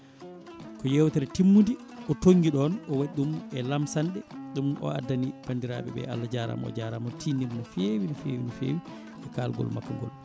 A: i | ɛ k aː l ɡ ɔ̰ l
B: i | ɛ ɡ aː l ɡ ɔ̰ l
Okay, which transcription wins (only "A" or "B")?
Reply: A